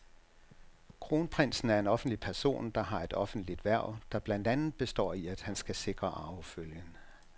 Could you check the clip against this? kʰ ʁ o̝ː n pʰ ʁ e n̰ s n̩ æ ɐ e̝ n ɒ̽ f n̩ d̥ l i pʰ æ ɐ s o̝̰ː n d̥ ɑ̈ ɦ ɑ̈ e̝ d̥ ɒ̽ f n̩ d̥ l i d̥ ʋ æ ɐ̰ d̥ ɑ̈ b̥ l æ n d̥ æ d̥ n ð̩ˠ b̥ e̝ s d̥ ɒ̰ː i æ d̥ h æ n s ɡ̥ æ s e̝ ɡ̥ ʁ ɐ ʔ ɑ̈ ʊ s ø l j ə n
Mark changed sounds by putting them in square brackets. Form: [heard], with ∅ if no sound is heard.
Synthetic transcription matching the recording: kʰ ʁ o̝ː n pʰ ʁ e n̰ s n̩ æ ɐ e̝ n ɒ̽ f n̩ d̥ l i pʰ æ ɐ s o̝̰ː n d̥ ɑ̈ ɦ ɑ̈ e̝ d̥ ɒ̽ f n̩ d̥ l i d̥ ʋ æ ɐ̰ d̥ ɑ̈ b̥ l æ n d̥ æ [∅] n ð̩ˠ b̥ e̝ s d̥ ɒ̰ː i æ d̥ h æ n s ɡ̥ æ s e̝ ɡ̥ ʁ ɐ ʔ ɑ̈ ʊ [f] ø l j ə n